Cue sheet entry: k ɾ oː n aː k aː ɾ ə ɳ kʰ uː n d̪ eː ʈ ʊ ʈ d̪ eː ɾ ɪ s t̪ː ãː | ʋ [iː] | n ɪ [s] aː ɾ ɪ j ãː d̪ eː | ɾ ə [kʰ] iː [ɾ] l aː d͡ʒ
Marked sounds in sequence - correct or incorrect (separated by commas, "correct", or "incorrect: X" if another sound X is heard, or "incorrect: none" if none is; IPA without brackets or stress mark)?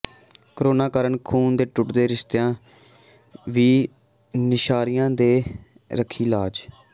correct, incorrect: ʃ, correct, incorrect: none